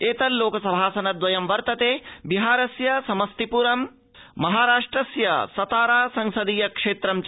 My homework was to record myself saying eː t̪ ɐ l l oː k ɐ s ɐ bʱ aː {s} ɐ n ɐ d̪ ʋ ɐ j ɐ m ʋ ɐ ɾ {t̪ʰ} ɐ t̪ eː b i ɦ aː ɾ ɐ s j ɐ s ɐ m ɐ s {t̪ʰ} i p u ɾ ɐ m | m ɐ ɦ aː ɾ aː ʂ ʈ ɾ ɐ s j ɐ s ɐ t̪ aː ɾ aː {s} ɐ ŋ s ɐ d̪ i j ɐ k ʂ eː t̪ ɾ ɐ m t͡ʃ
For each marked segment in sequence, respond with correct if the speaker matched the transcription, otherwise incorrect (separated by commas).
correct, incorrect, incorrect, correct